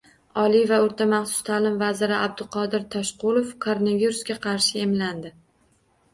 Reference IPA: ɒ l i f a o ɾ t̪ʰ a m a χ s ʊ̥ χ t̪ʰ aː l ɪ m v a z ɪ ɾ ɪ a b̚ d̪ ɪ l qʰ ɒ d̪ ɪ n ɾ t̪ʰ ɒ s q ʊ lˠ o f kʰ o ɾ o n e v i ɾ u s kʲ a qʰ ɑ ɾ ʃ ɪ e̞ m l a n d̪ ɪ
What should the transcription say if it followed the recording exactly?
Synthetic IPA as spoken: ɒ l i v a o ɾ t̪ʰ a m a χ s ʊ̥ s t̪ʰ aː l ɪ m v a z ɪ ɾ ɪ a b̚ d̪ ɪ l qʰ ɒ d̪ ɪ ɾ t̪ʰ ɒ ʃ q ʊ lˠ o f kʰ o ɾ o n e v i ɾ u s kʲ a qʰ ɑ ɾ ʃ ɪ e̞ m l a n d̪ ɪ